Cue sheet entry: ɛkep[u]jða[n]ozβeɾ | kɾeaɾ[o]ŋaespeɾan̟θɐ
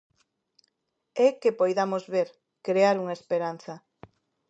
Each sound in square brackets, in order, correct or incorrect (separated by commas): incorrect, incorrect, incorrect